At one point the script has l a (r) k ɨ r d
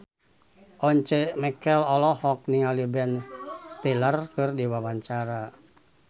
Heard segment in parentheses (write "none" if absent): r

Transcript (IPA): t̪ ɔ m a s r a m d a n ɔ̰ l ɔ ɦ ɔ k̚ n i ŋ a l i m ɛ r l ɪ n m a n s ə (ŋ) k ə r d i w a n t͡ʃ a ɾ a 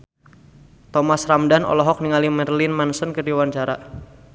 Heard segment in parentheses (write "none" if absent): n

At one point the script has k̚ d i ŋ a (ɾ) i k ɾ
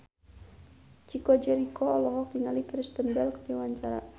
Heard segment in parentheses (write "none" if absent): l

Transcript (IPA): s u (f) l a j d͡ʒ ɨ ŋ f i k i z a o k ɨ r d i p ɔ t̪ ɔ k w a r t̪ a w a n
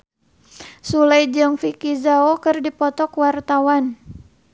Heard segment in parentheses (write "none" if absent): none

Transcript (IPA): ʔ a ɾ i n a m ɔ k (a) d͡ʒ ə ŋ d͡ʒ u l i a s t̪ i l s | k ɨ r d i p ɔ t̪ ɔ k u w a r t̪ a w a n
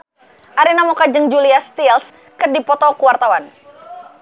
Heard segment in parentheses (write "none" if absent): a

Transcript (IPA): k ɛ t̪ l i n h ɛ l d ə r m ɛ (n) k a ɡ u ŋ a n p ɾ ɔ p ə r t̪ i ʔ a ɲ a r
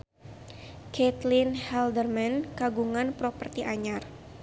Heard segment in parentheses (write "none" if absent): n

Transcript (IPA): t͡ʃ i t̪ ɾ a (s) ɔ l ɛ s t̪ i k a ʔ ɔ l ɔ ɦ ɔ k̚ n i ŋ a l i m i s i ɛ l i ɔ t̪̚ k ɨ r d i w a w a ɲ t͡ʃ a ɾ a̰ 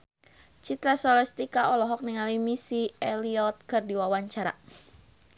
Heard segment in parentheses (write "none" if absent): s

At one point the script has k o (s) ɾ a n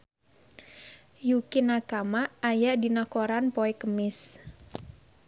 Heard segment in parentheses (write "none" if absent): none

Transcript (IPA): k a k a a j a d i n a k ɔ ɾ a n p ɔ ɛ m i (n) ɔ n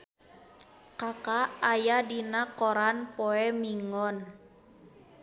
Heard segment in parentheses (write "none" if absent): ŋ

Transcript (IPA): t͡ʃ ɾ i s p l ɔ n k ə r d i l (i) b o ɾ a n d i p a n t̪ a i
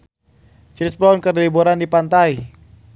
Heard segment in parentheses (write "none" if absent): i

